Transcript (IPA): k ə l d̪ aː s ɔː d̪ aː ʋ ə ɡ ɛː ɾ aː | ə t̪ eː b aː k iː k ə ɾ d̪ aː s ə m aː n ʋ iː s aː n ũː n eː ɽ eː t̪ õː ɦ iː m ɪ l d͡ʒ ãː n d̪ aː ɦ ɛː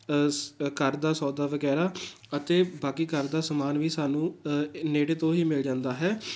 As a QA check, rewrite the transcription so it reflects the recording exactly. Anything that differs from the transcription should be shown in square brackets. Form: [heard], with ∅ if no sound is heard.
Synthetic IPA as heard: k ə [ɾ] d̪ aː s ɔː d̪ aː ʋ ə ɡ ɛː ɾ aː | ə t̪ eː b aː k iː k ə ɾ d̪ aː s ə m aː n ʋ iː s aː n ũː n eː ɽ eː t̪ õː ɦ iː m ɪ l d͡ʒ ãː n d̪ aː ɦ ɛː